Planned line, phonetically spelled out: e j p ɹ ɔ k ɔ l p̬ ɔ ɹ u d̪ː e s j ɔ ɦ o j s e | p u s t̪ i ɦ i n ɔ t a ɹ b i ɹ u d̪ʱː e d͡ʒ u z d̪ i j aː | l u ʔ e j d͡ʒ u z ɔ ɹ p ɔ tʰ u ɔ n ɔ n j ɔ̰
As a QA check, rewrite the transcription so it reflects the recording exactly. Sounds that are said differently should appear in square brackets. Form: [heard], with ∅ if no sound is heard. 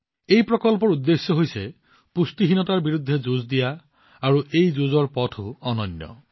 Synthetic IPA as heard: e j p ɹ ɔ k ɔ l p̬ ɔ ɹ u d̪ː e s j ɔ ɦ o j s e | p u s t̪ i ɦ i n ɔ t a ɹ b i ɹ u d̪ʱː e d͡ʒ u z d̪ i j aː | [ɹ] u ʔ e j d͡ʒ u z ɔ ɹ p ɔ tʰ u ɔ n ɔ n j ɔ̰